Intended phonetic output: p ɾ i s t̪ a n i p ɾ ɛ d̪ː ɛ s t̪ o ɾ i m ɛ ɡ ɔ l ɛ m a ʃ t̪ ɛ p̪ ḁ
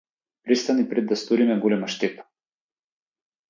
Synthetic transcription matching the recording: p ɾ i s t̪ a n i p ɾ ɛ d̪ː a s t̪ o ɾ i m ɛ ɡ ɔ l ɛ m a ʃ t̪ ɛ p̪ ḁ